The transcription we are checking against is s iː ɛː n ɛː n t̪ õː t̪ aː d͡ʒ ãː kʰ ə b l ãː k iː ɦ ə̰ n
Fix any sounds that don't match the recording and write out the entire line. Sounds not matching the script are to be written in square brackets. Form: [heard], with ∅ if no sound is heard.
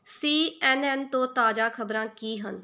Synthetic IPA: s iː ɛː n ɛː n t̪ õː t̪ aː d͡ʒ [aː] kʰ ə b [ɾ] ãː k iː ɦ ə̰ n